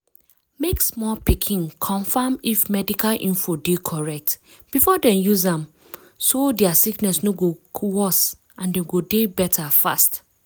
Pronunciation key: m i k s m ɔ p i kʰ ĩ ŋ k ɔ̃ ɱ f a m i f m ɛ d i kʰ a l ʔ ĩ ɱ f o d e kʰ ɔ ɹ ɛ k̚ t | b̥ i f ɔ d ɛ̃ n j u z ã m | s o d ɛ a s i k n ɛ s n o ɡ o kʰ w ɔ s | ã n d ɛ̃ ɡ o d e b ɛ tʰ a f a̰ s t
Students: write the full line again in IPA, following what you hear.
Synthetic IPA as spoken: m e k s m ɔ p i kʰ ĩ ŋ kʰ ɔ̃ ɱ f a m i f m ɛ d i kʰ a l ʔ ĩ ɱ f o d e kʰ ɔ ɹ ɛ k̚ t | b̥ i f ɔ d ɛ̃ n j u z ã m | s o d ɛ a s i k n ɛ s n o ɡ o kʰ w ɔ s | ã n d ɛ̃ ɡ o d e b ɛ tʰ a f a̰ s t